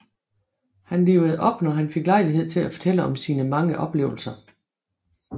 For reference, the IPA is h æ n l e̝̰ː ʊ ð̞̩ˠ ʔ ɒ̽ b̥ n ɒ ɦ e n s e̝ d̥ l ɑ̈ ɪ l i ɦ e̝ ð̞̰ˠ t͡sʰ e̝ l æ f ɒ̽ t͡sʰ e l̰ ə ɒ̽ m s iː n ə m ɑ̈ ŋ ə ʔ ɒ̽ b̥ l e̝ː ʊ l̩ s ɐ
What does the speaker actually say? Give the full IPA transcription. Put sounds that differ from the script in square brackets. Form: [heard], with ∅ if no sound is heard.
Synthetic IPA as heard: h æ n l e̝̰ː ʊ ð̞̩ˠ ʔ ɒ̽ b̥ n ɒ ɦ [æ] n [f] e̝ [ɡ̥] l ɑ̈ ɪ l i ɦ e̝ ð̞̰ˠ t͡sʰ e̝ l æ f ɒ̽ t͡sʰ e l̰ ə ɒ̽ m s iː n ə m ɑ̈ ŋ ə ʔ ɒ̽ b̥ l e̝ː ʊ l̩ s ɐ